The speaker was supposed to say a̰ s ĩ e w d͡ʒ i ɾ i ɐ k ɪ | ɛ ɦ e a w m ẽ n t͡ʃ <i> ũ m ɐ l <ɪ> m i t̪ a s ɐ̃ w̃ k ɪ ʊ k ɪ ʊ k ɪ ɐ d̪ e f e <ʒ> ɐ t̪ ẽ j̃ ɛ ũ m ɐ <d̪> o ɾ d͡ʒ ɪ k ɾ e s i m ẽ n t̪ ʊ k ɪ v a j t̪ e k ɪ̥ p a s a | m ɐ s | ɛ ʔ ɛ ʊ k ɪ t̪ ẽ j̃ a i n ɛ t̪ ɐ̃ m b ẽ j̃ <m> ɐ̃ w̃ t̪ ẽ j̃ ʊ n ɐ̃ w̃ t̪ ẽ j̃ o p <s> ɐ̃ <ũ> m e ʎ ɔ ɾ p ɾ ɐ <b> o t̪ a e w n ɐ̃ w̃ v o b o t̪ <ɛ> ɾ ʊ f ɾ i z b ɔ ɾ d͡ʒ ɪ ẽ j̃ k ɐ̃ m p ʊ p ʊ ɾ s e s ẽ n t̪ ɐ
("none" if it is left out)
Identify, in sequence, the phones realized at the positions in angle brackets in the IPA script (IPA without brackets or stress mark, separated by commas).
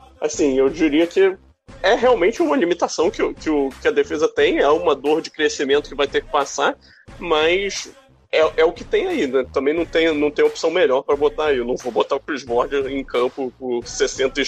ɪ, i, z, d̪, n, s, w̃, b, a